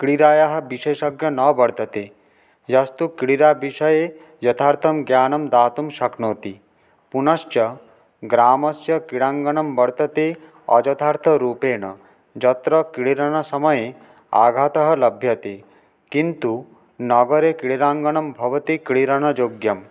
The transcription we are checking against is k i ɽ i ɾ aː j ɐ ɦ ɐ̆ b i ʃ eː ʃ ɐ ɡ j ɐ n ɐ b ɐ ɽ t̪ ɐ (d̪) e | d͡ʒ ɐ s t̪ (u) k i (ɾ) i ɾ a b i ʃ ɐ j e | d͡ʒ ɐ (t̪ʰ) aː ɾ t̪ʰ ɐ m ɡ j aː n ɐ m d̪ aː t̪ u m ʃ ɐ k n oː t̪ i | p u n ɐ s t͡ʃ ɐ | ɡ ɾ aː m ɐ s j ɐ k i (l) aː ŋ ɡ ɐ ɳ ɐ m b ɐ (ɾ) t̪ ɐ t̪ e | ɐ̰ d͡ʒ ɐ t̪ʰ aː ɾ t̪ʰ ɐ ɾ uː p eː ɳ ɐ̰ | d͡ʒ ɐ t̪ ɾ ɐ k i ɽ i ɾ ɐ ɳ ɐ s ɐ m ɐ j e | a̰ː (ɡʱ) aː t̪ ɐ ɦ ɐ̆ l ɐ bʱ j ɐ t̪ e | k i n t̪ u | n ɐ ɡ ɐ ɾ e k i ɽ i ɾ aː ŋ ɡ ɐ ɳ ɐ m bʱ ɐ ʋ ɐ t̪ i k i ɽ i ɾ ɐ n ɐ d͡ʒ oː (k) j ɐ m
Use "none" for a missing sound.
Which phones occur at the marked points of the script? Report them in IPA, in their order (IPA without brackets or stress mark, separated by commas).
t̪, u, ɽ, t̪ʰ, ɽ, ɽ, ɡʱ, ɡ